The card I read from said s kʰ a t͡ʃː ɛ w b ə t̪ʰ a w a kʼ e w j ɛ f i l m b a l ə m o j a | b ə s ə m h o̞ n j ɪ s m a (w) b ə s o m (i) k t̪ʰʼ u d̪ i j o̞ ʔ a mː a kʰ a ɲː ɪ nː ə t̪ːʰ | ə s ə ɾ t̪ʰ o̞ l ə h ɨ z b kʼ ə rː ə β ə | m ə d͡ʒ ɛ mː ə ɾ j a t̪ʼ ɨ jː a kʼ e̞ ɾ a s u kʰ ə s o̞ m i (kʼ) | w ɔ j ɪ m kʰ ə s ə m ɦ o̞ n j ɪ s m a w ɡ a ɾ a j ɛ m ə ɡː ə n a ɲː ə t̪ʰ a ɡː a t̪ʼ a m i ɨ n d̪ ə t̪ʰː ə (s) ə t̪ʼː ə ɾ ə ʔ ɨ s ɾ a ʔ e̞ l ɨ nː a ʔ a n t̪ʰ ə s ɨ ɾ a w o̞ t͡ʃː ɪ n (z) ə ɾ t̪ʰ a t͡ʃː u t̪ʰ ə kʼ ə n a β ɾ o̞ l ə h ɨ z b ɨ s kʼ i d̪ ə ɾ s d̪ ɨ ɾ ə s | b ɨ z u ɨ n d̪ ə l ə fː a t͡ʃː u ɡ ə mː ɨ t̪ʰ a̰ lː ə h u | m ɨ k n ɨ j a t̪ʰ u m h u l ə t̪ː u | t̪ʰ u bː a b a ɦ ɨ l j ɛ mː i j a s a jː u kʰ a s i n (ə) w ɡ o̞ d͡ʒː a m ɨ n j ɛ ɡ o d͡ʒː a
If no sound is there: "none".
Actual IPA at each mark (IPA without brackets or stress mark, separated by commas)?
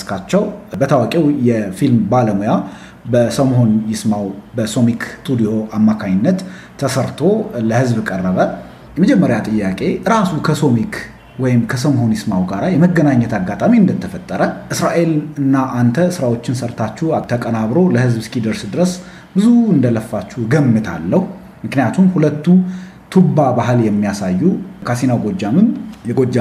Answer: w, i, k, f, s, a